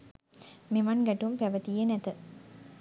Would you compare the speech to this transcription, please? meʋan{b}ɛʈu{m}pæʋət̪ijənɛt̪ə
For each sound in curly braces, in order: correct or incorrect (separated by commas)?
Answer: incorrect, correct